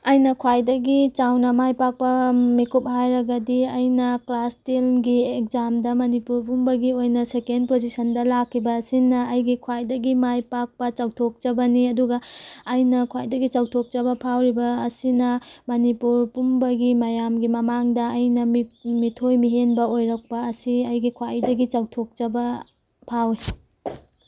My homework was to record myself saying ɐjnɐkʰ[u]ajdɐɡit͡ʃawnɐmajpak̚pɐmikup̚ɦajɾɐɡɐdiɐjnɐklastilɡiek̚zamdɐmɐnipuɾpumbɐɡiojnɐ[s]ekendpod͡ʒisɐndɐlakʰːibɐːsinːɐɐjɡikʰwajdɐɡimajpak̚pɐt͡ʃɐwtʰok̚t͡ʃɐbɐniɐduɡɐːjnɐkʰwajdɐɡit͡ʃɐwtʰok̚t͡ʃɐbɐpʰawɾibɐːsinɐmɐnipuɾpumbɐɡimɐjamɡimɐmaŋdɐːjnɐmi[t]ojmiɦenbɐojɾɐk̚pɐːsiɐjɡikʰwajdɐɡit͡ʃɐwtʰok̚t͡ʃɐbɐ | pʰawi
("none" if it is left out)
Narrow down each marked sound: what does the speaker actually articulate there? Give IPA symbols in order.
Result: w, s, tʰ

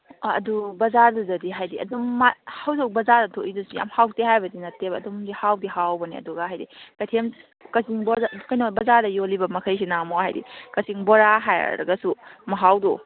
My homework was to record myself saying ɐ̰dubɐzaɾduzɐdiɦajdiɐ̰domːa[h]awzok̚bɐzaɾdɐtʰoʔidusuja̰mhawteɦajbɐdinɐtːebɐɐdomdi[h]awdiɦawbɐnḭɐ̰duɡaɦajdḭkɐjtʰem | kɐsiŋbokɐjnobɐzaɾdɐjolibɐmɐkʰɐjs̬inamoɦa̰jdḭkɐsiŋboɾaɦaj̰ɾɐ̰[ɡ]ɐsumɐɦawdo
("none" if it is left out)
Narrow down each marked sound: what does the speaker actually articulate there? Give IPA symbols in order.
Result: h, h, ɡ

